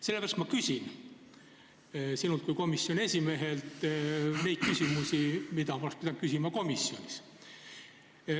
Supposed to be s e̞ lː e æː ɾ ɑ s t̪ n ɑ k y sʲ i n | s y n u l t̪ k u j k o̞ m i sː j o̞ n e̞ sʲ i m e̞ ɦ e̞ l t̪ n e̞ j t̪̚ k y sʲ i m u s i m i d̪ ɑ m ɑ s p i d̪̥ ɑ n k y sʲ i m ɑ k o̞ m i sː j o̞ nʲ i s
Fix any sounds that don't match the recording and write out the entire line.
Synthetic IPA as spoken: s e̞ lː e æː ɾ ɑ s t̪ m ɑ k y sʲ i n | s i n u l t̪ k u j k o̞ m i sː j o̞ n e̞ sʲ i m e̞ ɦ e̞ l t̪ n e̞ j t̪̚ k y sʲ i m u s i m i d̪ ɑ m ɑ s p i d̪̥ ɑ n k y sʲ i m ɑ k o̞ m i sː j o̞ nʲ i s